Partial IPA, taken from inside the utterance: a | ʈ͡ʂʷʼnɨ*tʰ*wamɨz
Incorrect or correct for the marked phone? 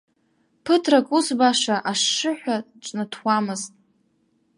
correct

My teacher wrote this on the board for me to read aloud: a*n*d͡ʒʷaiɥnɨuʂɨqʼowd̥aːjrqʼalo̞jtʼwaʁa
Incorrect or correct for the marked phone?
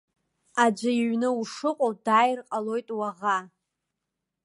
incorrect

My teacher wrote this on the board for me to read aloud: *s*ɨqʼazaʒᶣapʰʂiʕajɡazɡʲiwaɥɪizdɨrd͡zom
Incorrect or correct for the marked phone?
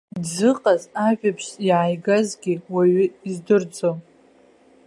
incorrect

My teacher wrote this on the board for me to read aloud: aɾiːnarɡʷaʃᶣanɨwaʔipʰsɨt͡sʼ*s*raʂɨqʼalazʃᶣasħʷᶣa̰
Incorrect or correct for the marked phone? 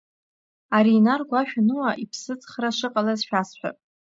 incorrect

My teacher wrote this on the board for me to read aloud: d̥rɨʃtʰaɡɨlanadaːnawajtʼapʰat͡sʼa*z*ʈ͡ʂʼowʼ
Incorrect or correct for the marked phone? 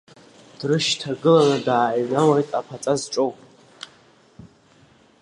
correct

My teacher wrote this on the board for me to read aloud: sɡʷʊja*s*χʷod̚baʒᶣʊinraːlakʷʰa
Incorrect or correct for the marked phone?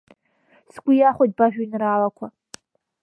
incorrect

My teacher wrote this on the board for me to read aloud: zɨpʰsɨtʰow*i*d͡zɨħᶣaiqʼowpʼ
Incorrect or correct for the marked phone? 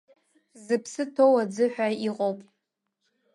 incorrect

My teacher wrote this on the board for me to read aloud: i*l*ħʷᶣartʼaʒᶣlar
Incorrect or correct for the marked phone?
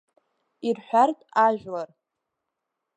incorrect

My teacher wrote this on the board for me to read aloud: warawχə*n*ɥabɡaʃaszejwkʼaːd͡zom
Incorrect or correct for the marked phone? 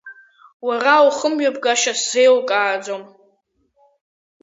incorrect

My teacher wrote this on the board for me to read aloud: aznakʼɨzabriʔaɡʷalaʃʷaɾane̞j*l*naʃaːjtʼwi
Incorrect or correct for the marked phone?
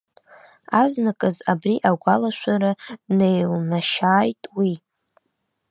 correct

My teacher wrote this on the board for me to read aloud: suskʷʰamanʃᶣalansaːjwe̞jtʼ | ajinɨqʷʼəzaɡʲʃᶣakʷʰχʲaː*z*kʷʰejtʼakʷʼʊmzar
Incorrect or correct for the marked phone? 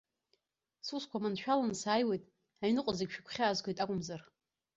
correct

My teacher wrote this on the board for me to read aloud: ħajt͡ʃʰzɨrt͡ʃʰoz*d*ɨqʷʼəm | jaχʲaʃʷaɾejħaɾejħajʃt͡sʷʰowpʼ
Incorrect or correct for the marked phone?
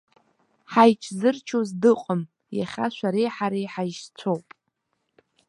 correct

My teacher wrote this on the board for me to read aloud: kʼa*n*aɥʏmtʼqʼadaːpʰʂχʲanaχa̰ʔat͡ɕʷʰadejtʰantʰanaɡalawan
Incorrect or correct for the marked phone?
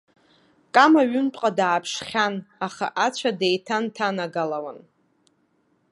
incorrect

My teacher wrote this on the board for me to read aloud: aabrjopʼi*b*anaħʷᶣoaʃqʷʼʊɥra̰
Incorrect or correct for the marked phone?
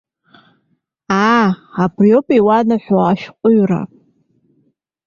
incorrect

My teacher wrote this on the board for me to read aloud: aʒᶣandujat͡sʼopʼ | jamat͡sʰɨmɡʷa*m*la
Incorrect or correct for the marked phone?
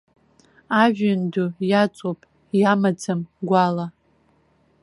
incorrect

